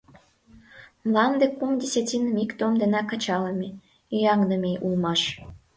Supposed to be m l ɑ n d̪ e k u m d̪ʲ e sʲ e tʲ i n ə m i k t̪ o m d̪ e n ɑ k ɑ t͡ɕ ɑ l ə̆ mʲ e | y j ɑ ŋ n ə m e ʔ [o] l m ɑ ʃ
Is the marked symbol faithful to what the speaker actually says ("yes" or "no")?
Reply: no